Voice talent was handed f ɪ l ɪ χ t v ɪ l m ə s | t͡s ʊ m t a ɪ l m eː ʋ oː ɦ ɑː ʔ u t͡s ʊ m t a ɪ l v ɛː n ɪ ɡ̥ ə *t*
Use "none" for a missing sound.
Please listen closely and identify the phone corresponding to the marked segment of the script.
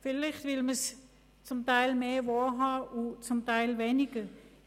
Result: none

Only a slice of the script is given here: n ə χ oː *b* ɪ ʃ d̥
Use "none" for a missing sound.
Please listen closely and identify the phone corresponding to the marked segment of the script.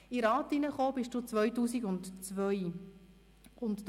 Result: b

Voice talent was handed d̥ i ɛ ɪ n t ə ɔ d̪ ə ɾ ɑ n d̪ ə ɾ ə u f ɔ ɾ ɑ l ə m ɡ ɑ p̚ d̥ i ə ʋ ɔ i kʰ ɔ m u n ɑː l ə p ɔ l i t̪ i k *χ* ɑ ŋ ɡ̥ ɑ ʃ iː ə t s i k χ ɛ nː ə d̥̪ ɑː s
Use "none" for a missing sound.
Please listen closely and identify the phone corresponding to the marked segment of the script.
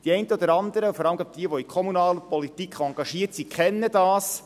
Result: χ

